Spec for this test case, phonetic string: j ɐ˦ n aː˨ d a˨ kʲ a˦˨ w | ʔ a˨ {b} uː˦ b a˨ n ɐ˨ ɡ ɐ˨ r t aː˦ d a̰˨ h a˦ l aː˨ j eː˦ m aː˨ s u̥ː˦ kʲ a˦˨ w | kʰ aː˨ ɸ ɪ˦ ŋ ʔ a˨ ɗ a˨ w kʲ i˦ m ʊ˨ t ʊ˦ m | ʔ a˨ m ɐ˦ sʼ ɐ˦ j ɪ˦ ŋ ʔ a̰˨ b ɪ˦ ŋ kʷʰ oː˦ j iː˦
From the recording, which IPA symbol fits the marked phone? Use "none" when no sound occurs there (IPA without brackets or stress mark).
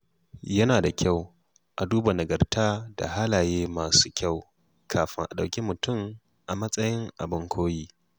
d